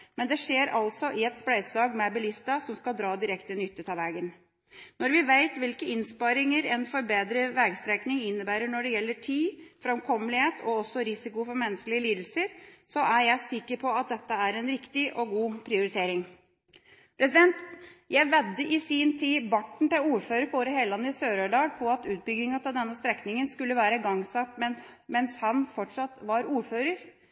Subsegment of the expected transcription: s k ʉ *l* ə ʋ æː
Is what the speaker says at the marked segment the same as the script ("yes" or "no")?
no